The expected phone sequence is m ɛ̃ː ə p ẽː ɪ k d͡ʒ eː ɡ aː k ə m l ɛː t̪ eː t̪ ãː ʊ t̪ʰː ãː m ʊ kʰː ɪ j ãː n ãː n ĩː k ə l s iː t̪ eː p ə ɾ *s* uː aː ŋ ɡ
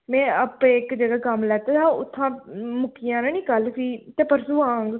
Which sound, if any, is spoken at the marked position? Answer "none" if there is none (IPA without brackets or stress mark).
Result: s